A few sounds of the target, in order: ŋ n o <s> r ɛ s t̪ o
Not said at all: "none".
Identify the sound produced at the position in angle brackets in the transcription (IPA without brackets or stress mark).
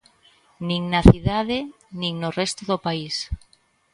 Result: none